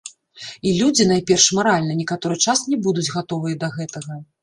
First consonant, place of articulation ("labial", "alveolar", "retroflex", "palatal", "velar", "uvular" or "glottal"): alveolar